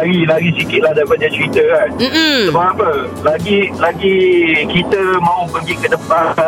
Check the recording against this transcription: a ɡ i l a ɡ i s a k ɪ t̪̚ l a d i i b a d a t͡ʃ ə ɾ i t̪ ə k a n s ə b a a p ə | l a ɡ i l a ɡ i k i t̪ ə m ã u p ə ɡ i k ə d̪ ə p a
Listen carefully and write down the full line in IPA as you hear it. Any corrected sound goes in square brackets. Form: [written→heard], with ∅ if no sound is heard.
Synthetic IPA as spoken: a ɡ i l a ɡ i s [a→i] k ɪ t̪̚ l a d [i→a] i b a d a t͡ʃ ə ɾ i t̪ ə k a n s ə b a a p ə | l a ɡ i l a ɡ i k i t̪ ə m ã u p ə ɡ i k ə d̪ ə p a